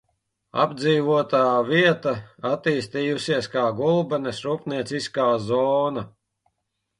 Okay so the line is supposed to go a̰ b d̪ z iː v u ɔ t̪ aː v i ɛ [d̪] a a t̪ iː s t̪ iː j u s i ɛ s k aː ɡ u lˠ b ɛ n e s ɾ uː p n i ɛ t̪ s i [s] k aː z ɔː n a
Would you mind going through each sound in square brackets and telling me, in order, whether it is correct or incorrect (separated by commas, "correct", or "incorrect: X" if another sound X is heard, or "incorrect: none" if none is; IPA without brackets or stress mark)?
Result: incorrect: t̪, correct